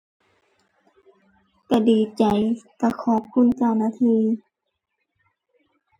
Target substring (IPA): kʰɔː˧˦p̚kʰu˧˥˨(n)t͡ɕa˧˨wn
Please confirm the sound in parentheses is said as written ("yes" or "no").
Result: yes